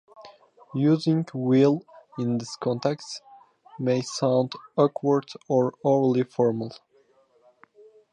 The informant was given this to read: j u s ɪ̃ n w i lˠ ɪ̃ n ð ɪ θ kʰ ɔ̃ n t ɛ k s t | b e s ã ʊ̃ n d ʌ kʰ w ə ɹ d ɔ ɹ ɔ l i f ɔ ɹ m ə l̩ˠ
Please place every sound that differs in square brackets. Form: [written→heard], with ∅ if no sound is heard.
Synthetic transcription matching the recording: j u [s→z] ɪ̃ [n→ŋ] w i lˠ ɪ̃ n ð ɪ [θ→s] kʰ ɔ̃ n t ɛ k s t | [b→m] e s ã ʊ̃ n d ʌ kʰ w ə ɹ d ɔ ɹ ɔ l i f ɔ ɹ m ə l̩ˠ

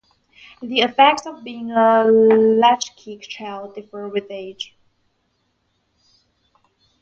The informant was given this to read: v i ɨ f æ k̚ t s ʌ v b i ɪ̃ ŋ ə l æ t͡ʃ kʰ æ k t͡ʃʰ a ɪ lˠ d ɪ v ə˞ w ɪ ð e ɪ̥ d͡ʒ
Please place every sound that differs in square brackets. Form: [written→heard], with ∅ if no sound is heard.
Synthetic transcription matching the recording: [v→ð] i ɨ f [æ→ɛ] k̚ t s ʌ v b i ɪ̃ ŋ ə l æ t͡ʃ kʰ [æ→i] k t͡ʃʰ a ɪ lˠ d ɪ [v→f] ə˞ w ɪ ð e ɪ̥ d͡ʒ

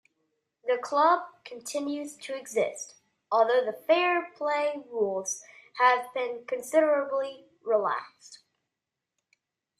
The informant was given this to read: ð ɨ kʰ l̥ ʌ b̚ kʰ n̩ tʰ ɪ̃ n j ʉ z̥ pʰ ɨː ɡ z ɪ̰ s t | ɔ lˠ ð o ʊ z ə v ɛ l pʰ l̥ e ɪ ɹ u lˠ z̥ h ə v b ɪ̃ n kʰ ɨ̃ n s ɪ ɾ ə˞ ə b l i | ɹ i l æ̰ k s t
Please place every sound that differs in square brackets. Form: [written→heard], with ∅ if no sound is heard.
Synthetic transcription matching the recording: ð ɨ kʰ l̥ ʌ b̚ kʰ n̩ tʰ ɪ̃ n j ʉ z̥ [pʰ→tʰ] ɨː ɡ z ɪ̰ s t | ɔ lˠ ð o ʊ [z→ð] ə [v→f] ɛ [l→ɹ] pʰ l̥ e ɪ ɹ u lˠ z̥ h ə v b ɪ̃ n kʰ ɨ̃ n s ɪ ɾ ə˞ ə b l i | ɹ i l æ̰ k s t

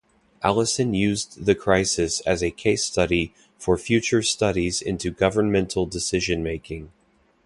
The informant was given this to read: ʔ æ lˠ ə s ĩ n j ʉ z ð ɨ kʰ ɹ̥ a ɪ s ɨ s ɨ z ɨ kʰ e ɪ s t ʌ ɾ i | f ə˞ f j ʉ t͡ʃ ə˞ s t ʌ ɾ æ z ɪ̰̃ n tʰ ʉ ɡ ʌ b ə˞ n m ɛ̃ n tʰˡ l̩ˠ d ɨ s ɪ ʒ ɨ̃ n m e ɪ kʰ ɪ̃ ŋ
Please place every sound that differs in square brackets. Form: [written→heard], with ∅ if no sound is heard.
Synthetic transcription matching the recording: ʔ æ lˠ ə s [ĩ→ɨ̃] n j ʉ z ð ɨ kʰ ɹ̥ a ɪ s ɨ s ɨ z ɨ kʰ e ɪ s t ʌ ɾ i | f ə˞ f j ʉ t͡ʃ ə˞ s t ʌ ɾ [æ→i] z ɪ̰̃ n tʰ ʉ ɡ ʌ [b→v] ə˞ n m ɛ̃ n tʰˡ l̩ˠ d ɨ s ɪ ʒ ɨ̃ n m e ɪ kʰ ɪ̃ ŋ

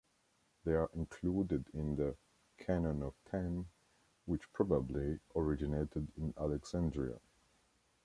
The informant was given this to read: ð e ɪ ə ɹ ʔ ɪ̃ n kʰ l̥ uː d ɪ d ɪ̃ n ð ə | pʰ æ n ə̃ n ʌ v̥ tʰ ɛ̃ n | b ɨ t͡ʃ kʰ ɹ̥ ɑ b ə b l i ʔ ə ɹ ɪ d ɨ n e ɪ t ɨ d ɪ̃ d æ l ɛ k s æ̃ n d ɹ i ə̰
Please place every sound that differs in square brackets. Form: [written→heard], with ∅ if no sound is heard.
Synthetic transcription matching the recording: ð e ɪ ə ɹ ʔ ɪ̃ n kʰ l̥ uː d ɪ d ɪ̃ n ð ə | [pʰ→kʰ] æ n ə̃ n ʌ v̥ tʰ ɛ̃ n | [b→w] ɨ t͡ʃ [kʰ→pʰ] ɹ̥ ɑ b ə b l i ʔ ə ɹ ɪ [d→d͡ʒ] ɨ n e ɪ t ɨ d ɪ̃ [d→n] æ l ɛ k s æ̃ n d ɹ i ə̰

